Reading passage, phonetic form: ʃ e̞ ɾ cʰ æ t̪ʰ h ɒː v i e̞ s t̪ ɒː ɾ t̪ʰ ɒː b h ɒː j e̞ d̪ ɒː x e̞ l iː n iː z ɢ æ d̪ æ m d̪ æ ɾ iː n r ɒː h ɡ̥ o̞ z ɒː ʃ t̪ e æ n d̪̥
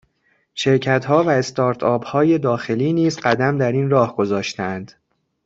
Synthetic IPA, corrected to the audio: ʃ e̞ ɾ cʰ æ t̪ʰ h ɒː v æ e̞ s t̪ ɒː ɾ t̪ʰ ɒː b h ɒː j e̞ d̪ ɒː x e̞ l iː n iː z ɢ æ d̪ æ m d̪ æ ɾ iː n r ɒː h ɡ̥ o̞ z ɒː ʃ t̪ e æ n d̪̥